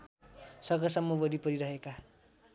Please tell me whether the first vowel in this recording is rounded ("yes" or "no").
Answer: no